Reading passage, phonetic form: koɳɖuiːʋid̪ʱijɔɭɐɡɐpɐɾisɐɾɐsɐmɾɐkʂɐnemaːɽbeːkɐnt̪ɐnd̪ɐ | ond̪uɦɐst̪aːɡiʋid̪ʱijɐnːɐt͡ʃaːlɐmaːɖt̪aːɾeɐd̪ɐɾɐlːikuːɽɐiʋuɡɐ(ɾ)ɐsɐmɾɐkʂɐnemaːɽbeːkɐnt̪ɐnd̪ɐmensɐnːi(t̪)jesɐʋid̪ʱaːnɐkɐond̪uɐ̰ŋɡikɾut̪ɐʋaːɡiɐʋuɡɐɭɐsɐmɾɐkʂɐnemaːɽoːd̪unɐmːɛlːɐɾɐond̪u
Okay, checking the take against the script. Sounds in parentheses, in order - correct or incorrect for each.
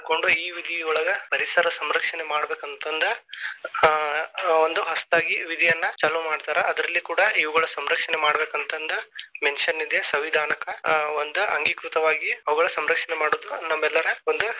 incorrect: ɭ, incorrect: d̪

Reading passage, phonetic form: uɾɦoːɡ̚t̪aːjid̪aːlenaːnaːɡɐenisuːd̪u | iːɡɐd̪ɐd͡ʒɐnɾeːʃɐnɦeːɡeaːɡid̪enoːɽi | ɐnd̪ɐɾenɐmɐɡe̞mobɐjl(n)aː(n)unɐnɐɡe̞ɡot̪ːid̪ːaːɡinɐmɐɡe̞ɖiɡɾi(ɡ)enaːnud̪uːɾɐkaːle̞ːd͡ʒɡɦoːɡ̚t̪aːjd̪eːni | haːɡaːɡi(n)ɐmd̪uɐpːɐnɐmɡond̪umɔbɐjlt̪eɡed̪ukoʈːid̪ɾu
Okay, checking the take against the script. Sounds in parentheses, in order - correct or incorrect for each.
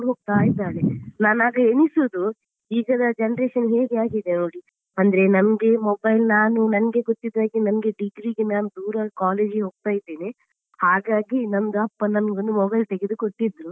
correct, correct, correct, correct

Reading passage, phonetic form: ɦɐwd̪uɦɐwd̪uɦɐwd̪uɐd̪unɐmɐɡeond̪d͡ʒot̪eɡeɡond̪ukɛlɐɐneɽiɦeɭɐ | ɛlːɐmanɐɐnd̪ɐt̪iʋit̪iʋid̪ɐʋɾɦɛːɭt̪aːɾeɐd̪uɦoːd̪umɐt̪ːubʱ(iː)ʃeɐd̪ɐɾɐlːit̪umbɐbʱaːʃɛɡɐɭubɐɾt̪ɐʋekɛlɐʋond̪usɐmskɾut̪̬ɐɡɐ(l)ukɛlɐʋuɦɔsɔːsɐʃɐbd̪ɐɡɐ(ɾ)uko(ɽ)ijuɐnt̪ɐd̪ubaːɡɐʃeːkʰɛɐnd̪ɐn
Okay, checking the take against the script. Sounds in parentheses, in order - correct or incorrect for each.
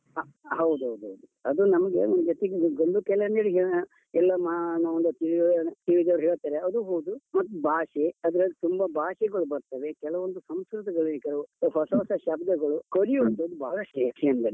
incorrect: aː, incorrect: ɭ, incorrect: ɭ, incorrect: ɾ

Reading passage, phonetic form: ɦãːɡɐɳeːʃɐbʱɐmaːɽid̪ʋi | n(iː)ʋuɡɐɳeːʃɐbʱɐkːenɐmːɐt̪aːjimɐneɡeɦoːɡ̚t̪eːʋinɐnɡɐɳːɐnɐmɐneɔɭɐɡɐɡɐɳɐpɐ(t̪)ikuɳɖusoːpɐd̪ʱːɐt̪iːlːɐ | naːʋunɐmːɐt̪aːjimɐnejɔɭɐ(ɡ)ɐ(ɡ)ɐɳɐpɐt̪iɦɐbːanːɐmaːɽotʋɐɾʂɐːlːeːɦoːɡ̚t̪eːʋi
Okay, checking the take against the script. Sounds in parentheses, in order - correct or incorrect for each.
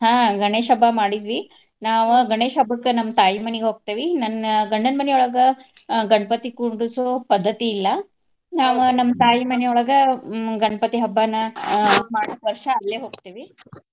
incorrect: aː, correct, correct, correct

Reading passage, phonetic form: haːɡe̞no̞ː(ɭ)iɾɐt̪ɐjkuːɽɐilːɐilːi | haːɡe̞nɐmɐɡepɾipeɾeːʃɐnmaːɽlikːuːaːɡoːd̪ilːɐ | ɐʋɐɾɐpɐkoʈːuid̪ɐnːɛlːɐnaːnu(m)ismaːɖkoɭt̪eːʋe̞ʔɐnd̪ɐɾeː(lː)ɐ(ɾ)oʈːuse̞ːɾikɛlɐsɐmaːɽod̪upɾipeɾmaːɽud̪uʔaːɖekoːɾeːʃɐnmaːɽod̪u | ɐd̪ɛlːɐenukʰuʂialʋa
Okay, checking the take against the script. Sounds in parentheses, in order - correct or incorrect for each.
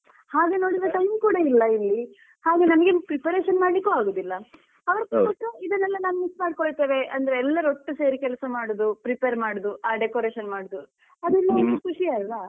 incorrect: ɽ, correct, correct, correct

